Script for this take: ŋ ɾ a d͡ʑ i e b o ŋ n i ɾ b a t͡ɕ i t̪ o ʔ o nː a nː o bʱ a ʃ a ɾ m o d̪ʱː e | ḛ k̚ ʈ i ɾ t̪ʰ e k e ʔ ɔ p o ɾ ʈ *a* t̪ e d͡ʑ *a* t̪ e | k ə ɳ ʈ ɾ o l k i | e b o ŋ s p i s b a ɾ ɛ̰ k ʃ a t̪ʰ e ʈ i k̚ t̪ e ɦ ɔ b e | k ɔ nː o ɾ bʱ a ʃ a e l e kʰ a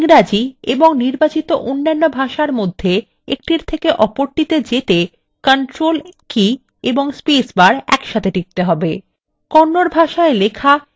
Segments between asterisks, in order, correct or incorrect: incorrect: i, incorrect: e

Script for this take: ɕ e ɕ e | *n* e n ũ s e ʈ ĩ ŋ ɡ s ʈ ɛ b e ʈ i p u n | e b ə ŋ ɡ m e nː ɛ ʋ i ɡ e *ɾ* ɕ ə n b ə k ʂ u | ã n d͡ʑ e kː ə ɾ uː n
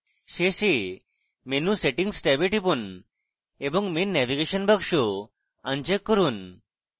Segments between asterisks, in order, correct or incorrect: incorrect: m, incorrect: none

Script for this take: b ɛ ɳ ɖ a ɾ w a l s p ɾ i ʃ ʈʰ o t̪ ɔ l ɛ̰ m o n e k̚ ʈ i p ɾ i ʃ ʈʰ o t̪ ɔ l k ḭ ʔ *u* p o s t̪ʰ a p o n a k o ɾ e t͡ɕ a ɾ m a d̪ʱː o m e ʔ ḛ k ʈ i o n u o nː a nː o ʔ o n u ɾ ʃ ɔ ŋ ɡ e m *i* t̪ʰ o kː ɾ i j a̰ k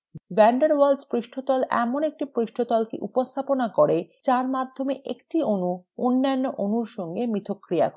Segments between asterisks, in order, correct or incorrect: correct, correct

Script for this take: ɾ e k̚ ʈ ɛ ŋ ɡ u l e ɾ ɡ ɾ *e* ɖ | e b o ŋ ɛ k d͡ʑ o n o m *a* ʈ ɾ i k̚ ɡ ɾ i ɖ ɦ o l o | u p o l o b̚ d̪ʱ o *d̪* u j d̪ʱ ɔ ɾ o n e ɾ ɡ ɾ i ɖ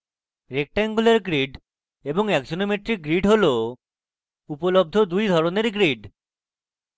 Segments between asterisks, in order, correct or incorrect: incorrect: i, incorrect: e, correct

